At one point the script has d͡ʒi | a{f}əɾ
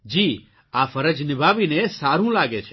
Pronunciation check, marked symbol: correct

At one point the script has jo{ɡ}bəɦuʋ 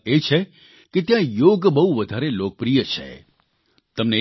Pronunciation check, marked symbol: correct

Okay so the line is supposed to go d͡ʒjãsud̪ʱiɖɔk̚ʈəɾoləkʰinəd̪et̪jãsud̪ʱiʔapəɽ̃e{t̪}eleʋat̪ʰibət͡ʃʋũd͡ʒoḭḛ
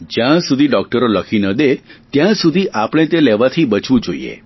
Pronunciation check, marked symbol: correct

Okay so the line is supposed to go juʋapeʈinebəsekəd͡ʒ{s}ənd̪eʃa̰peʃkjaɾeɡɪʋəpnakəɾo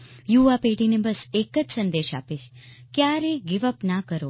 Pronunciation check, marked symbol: correct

